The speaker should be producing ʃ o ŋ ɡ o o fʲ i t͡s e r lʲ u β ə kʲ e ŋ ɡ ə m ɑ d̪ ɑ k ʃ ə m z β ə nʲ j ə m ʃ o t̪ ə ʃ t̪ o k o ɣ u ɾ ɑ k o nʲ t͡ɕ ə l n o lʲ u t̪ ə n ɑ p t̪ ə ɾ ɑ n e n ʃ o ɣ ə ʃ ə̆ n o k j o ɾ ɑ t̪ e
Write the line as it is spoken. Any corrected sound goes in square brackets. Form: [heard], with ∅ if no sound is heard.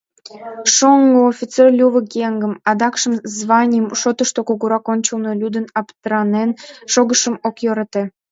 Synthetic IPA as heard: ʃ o ŋ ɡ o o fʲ i t͡s e r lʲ u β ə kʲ e ŋ ɡ ə m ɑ d̪ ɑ k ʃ ə m z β [ɑ] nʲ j ə m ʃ o t̪ ə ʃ t̪ o k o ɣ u ɾ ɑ k o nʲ t͡ɕ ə l n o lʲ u [d̪] ə n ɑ p t̪ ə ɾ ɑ n e n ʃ o ɣ ə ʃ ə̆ [m] o k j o ɾ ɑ t̪ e